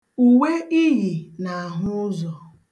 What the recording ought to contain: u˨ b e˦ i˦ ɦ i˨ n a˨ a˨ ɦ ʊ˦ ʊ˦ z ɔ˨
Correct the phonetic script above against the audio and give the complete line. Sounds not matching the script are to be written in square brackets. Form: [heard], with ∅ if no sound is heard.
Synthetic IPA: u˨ [w] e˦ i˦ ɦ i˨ n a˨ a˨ ɦ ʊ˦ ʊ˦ z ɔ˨